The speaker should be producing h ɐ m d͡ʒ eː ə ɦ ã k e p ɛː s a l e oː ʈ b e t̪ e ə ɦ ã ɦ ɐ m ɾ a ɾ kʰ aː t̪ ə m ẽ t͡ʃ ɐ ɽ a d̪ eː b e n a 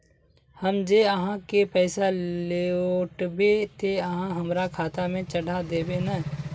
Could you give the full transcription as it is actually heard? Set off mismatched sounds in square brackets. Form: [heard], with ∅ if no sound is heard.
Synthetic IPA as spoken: h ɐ m d͡ʒ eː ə ɦ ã k e p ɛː s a l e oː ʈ b e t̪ e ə ɦ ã ɦ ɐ m ɾ a [∅] kʰ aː t̪ [a] m ẽ t͡ʃ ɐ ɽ a d̪ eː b e n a